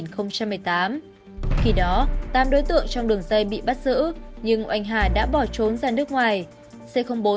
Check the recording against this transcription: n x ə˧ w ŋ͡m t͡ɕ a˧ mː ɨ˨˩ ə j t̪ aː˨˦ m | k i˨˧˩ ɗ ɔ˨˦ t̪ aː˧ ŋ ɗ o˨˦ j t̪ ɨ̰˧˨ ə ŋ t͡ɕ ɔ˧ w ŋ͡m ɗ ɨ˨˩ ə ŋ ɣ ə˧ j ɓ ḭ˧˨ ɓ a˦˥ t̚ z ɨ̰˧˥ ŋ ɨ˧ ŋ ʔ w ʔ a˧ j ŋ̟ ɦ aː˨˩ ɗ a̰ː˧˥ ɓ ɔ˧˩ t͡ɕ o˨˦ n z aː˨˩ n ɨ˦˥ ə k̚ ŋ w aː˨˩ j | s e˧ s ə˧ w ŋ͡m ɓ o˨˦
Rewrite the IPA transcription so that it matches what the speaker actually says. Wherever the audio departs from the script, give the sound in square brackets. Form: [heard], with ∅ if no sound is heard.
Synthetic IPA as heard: n x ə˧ w ŋ͡m t͡ɕ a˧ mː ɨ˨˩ ə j t̪ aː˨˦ m | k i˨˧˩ ɗ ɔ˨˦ t̪ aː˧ [m] ɗ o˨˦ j t̪ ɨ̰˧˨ ə ŋ t͡ɕ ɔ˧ w ŋ͡m ɗ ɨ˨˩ ə ŋ [z] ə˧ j ɓ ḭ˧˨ ɓ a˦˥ t̚ z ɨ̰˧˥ [ɲ] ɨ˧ ŋ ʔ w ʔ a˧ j ŋ̟ ɦ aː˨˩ ɗ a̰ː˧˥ ɓ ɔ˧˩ t͡ɕ o˨˦ n z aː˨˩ n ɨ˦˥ ə k̚ ŋ w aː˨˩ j | s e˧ [x] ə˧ w ŋ͡m ɓ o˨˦